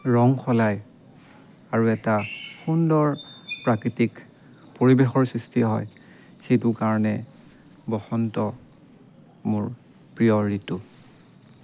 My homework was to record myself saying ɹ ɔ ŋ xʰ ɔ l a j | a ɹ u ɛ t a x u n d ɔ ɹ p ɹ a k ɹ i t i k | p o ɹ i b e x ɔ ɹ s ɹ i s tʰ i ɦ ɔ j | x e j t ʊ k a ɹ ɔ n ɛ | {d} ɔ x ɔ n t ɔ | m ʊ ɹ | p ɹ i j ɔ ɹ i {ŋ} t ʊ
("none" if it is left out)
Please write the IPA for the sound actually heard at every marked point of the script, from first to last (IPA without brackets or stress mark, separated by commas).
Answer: b, none